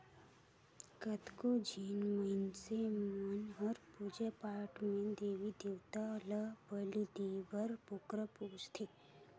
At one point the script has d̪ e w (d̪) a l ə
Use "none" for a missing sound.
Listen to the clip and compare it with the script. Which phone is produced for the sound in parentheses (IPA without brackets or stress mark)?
t̪